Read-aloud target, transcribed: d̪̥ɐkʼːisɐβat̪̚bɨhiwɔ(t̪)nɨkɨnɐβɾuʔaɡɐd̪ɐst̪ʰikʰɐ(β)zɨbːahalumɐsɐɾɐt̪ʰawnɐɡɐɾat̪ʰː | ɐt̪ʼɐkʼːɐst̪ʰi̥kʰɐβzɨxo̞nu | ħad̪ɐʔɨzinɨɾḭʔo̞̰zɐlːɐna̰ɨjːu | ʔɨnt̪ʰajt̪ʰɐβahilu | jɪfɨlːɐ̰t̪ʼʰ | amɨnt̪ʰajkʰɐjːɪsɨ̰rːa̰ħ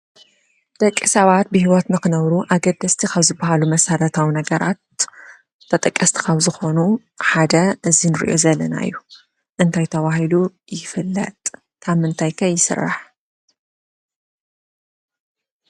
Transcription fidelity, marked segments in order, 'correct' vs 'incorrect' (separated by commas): correct, correct